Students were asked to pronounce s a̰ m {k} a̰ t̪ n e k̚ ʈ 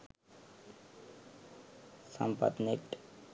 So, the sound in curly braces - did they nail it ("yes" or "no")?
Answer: no